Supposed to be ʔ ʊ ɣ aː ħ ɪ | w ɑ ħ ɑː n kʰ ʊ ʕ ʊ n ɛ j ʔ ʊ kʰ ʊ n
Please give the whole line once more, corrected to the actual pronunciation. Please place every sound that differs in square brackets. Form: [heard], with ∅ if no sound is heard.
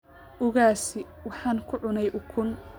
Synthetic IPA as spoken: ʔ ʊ ɣ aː [s] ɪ | w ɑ ħ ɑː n kʰ ʊ ʕ ʊ n ɛ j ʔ ʊ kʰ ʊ n

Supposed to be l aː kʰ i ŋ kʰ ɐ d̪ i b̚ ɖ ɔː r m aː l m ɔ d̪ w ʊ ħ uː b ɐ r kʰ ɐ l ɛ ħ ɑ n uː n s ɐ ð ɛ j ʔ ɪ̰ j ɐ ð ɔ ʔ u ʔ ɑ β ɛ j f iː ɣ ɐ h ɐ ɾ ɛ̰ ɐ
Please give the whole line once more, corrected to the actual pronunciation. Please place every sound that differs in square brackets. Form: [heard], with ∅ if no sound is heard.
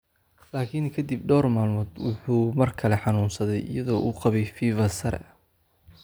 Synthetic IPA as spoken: l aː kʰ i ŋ kʰ ɐ d̪ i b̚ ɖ ɔː r m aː l m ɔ d̪ w ʊ ħ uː [m] ɐ r kʰ ɐ l ɛ ħ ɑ n uː n s ɐ ð ɛ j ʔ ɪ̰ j ɐ ð [ɔː] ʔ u [q] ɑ β ɛ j f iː [v] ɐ [s] ɐ ɾ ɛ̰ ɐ

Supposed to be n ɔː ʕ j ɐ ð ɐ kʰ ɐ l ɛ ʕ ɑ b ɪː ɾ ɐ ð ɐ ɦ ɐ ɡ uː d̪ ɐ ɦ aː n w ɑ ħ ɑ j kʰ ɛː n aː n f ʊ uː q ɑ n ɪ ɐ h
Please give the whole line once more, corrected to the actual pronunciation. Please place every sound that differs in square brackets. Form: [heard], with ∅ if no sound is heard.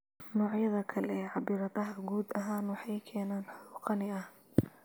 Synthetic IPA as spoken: n ɔː ʕ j ɐ ð ɐ kʰ ɐ l ɛ ʕ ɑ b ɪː ɾ ɐ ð ɐ ɦ ɐ ɡ uː d̪ ɐ ɦ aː n w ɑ ħ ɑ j kʰ ɛː n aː n [ħ] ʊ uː q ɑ n ɪ ɐ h

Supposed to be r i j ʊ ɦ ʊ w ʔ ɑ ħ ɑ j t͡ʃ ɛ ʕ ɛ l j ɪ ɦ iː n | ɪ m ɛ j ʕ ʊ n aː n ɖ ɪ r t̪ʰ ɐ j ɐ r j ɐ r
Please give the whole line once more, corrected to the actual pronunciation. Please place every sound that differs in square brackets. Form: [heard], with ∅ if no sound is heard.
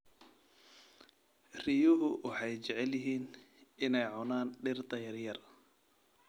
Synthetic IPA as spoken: r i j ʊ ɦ ʊ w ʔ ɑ ħ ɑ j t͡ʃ ɛ ʕ ɛ l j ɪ ɦ iː n | ɪ [n] ɛ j ʕ ʊ n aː n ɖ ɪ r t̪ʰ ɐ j ɐ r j ɐ r

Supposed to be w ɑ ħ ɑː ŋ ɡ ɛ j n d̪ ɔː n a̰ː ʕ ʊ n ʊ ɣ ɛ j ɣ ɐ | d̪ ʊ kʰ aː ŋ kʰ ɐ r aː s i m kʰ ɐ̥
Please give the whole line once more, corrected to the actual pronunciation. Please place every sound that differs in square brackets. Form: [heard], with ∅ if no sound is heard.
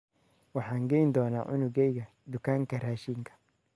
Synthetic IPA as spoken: w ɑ ħ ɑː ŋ ɡ ɛ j n d̪ ɔː n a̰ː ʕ ʊ n ʊ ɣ ɛ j ɣ ɐ | d̪ ʊ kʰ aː ŋ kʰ ɐ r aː [ʃ] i [ŋ] kʰ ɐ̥

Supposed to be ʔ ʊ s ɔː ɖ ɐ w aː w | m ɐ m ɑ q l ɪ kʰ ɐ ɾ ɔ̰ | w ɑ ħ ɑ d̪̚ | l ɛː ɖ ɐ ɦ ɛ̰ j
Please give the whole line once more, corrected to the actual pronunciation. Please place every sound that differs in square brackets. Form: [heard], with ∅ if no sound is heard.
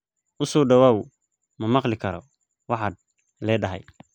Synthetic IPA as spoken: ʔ ʊ s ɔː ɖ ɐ w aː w | m ɐ m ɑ q l ɪ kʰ ɐ ɾ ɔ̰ | w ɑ ħ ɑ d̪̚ | l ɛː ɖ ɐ ɦ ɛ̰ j

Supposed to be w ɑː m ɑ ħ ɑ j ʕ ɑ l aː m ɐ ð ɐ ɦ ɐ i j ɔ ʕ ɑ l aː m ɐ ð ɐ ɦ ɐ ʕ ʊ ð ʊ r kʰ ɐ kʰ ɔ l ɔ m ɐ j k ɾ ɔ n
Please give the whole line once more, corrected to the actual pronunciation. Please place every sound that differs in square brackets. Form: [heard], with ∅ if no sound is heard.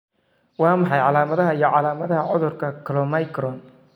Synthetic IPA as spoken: w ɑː m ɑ ħ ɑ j ʕ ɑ l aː m ɐ ð ɐ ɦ ɐ i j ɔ ʕ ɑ l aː m ɐ ð ɐ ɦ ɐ ʕ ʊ ð ʊ r kʰ ɐ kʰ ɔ l ɔ m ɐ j k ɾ ɔ n

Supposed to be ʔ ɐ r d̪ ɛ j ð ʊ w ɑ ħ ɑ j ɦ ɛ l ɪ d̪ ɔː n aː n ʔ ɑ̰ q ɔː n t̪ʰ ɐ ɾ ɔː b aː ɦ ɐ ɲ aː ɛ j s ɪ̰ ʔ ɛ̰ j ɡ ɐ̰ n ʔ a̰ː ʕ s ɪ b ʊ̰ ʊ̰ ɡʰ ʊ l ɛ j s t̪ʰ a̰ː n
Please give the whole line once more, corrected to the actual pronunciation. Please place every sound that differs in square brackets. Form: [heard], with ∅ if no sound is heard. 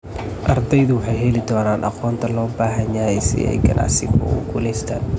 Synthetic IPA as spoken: ʔ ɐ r d̪ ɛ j ð ʊ w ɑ ħ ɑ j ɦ ɛ l ɪ d̪ ɔː n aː n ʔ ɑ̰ q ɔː n t̪ʰ ɐ [l] ɔː b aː ɦ ɐ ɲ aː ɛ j s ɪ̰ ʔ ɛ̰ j ɡ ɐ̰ n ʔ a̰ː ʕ s ɪ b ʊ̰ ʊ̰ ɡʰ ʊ l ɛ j s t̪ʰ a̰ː n

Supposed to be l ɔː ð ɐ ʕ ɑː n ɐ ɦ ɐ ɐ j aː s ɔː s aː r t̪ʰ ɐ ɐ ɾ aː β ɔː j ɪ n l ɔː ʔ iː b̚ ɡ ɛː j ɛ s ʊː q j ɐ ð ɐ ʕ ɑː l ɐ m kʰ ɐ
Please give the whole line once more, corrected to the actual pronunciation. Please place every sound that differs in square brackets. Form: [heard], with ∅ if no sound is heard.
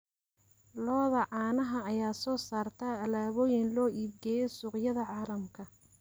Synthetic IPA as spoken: l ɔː ð ɐ ʕ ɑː n ɐ ɦ ɐ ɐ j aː s ɔː s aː r t̪ʰ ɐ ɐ [l] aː β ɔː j ɪ n l ɔː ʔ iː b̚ ɡ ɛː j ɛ s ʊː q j ɐ ð ɐ ʕ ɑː l ɐ m kʰ ɐ

